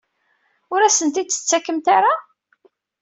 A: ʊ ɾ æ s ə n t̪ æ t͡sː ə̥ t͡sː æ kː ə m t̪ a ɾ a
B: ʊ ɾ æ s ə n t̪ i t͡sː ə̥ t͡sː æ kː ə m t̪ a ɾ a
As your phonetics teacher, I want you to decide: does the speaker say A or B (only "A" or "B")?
B